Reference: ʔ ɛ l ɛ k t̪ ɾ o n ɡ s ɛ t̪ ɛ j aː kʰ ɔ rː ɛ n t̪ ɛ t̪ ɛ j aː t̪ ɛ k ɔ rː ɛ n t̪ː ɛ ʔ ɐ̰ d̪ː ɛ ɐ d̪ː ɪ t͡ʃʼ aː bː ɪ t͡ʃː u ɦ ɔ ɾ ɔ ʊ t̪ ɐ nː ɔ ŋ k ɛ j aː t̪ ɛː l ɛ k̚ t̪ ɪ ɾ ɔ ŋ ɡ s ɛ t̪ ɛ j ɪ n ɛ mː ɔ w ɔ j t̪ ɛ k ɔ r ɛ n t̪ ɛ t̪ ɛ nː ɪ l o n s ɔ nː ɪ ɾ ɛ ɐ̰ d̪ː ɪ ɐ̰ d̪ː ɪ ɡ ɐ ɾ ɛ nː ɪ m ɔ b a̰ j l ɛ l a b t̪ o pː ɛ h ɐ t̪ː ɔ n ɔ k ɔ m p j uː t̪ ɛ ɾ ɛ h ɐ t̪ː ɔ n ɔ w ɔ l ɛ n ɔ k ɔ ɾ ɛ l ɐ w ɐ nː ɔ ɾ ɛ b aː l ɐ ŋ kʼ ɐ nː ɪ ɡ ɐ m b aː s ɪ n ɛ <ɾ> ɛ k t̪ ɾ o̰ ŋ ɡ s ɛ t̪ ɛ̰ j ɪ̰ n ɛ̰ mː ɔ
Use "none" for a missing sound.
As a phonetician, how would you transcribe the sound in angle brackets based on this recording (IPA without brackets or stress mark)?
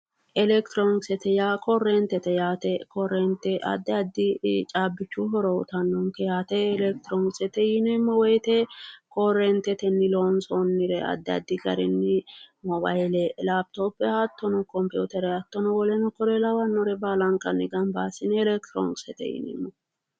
l